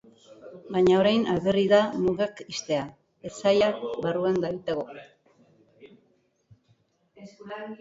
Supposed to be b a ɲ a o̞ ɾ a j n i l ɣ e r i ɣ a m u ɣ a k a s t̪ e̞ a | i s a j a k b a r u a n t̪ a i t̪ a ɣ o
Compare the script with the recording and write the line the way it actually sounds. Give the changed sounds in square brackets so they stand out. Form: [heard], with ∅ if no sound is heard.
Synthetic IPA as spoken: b a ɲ a o̞ ɾ a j n [a] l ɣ e r i [ð] a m u ɣ a k [i] s t̪ e̞ a | [e] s a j a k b a r u a n [d̪] a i t̪ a ɣ o